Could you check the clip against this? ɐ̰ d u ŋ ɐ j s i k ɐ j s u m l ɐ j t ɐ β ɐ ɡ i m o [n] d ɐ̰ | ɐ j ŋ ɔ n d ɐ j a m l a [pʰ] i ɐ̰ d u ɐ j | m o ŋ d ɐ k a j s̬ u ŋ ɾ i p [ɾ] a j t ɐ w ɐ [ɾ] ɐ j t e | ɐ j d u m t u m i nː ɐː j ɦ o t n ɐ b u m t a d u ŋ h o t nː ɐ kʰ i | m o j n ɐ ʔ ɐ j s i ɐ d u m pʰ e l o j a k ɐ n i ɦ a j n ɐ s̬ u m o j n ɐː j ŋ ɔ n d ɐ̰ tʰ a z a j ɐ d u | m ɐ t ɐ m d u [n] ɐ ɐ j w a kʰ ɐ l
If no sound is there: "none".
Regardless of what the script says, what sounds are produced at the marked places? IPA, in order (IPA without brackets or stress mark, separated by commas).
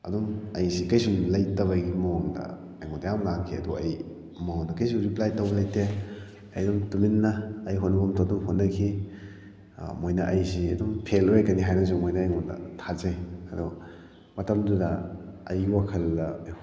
ŋ, kʰ, l, l, d